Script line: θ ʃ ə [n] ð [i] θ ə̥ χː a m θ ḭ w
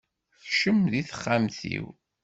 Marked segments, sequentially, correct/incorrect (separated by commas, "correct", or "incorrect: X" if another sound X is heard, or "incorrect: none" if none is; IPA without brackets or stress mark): incorrect: m, correct